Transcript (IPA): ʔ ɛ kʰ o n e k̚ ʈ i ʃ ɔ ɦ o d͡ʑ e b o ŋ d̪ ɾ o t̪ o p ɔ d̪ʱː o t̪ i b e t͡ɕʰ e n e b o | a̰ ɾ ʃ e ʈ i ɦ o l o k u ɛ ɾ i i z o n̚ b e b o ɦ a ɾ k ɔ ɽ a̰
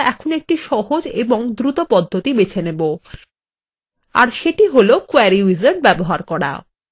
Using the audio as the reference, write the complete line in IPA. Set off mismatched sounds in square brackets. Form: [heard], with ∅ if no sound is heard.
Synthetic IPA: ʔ ɛ kʰ o n e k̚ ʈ i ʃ ɔ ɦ o d͡ʑ e b o ŋ d̪ ɾ [u] t̪ o p ɔ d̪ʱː o t̪ i b e t͡ɕʰ e n e b o | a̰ ɾ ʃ e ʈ i ɦ o l o k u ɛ ɾ i i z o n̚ b [ɛ] b o ɦ a ɾ k ɔ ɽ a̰